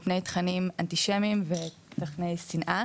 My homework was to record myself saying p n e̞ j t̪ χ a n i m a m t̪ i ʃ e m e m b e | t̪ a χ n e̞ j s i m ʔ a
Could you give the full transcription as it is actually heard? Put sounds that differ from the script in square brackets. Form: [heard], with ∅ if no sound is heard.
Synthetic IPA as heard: p n e̞ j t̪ χ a n i m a [n] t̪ i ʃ e m [i] m [v] e | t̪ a χ n e̞ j s i [n] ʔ a